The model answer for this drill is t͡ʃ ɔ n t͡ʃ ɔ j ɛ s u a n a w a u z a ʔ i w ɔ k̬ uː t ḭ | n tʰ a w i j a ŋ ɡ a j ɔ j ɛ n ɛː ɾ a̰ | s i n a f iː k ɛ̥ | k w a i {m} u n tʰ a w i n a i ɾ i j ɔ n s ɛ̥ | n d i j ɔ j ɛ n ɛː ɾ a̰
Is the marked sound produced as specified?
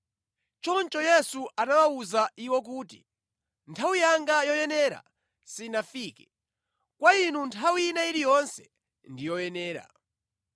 no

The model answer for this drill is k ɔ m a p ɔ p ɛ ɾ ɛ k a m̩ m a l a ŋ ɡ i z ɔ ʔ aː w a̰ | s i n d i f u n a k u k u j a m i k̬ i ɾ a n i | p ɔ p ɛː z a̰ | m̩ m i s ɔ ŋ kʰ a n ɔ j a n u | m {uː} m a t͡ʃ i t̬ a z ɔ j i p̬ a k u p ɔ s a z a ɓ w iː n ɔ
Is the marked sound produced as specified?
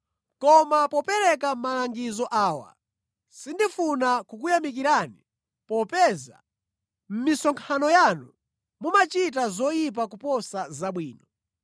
no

